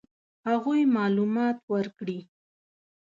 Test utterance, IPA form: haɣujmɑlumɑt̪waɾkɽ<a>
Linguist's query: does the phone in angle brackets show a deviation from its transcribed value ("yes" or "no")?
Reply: yes